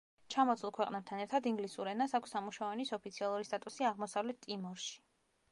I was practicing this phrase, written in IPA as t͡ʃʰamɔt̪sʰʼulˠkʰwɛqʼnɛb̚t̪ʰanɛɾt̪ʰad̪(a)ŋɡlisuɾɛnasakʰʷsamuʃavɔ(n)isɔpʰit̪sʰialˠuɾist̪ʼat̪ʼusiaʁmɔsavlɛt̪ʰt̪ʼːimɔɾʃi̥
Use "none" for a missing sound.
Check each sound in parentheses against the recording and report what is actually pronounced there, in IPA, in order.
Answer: i, n

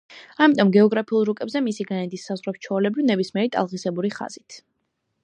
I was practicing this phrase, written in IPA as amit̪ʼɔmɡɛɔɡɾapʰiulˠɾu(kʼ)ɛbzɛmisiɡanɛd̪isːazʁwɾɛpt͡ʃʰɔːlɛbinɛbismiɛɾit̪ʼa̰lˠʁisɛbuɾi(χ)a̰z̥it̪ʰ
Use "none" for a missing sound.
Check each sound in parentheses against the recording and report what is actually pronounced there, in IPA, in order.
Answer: kʼ, χ

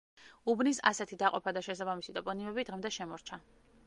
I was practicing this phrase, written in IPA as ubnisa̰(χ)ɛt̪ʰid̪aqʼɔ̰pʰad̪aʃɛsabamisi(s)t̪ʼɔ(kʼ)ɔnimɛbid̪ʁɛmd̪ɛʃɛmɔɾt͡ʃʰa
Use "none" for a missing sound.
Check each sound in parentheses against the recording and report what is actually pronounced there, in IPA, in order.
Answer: s, none, pʼ

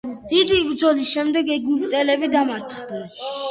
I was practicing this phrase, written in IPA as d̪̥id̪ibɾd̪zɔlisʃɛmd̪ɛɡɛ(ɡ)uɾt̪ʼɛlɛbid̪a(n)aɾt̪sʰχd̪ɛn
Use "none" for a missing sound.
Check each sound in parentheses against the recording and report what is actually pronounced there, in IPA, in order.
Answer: ɡ, m

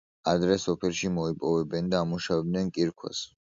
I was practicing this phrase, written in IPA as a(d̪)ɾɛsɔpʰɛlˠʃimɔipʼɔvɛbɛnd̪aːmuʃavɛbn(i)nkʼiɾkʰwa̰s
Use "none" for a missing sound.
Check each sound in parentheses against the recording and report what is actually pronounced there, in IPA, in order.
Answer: d̪, ɛ

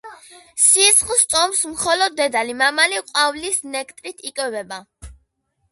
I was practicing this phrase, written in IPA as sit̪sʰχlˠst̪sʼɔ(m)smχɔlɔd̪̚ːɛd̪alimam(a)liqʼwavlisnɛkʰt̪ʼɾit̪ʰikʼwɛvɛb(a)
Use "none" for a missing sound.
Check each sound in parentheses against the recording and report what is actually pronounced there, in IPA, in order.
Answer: m, a, a

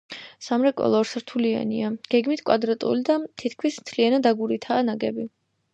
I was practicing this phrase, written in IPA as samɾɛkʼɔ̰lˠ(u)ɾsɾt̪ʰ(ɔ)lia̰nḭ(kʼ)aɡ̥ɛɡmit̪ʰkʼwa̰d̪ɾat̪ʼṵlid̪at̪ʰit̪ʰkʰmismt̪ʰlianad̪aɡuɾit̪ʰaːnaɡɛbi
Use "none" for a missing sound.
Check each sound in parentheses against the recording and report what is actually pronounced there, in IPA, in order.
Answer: ɔ, u, none

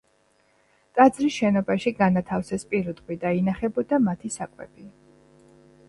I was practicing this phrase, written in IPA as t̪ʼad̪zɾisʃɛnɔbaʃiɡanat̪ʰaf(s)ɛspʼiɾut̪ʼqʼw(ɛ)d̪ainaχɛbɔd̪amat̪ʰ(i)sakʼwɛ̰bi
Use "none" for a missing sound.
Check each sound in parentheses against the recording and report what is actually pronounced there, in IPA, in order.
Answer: s, i, i

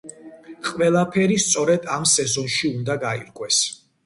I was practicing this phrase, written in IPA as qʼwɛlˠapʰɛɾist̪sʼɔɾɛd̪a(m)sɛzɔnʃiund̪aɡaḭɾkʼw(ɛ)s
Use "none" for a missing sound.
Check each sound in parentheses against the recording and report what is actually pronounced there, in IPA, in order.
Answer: m, ɛ

